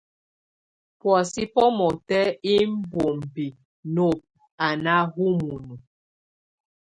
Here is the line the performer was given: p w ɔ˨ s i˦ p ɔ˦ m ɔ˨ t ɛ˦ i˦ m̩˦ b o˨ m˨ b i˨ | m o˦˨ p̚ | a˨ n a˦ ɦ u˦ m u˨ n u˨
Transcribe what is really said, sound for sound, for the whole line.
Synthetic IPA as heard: p w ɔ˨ s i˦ p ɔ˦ m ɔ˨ t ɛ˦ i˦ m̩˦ b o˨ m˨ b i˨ | n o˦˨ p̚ | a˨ n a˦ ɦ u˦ m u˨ n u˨